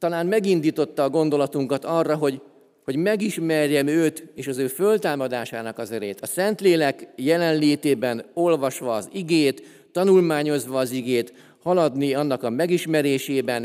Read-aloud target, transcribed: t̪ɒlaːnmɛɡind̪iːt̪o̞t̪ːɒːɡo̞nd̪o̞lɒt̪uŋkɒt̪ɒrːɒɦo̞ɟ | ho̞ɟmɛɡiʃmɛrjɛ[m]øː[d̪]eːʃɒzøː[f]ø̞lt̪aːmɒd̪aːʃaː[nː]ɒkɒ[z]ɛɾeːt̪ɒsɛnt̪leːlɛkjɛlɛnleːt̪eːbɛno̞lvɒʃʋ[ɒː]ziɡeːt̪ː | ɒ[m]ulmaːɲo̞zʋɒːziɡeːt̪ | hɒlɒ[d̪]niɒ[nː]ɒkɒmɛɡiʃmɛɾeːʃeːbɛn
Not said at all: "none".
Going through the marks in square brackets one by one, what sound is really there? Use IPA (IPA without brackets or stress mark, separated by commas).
m, t̪, f, n, z, ɒː, n, d̪, nː